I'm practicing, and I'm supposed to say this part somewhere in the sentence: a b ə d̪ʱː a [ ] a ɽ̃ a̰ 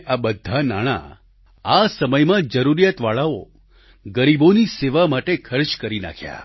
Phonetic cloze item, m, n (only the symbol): n